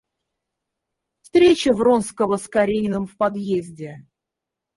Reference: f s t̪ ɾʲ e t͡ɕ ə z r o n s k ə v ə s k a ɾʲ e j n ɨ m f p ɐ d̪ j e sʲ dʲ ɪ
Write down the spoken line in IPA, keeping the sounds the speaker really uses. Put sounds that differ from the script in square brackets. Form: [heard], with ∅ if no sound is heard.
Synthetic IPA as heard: f s t̪ ɾʲ e t͡ɕ ə [v] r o n s k ə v ə s k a ɾʲ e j n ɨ m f p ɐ d̪ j e [zʲ] dʲ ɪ